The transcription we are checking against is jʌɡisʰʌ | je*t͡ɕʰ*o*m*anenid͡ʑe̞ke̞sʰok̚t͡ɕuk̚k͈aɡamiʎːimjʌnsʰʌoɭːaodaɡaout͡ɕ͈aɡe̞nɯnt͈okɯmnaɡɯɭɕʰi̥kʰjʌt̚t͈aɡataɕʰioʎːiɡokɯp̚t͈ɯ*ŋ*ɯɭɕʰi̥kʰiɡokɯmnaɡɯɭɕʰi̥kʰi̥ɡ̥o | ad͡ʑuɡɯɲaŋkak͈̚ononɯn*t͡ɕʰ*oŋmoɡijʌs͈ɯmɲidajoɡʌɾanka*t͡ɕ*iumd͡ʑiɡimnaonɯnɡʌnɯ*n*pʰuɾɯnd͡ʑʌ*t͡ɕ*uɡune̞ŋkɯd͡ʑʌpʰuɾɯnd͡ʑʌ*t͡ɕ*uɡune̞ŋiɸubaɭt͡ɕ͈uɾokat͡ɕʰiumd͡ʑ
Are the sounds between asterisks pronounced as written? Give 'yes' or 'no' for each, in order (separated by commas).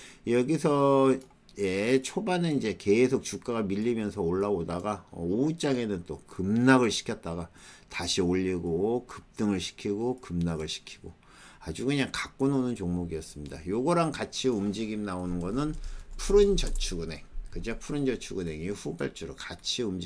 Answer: yes, no, yes, no, no, yes, no, no